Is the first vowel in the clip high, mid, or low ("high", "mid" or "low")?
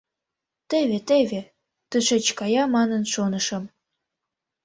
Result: mid